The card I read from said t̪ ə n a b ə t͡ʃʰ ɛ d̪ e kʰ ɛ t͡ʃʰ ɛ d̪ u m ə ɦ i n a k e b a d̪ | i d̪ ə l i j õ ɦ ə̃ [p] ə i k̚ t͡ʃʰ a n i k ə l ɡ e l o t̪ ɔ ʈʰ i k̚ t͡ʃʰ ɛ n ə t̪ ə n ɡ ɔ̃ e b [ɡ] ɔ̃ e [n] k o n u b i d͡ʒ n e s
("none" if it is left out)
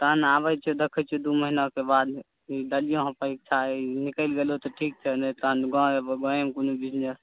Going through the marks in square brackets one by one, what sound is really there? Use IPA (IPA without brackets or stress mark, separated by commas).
p, ɡ, m